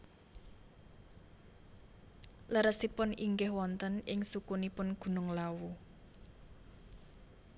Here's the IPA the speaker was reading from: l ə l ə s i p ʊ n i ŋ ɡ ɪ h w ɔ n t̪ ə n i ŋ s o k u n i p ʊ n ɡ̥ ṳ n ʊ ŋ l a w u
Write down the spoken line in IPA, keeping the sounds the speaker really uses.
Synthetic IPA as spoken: l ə ɾ ə s i p ʊ n i ŋ ɡ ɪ h w ɔ n t̪ ə n ɪ ŋ s u k u n i p ʊ n ɡ̥ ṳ n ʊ ŋ l a w u